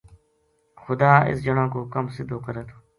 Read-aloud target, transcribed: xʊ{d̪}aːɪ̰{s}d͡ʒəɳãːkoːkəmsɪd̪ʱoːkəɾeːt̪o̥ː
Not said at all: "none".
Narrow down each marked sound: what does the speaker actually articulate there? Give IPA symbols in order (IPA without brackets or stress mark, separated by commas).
d̪, s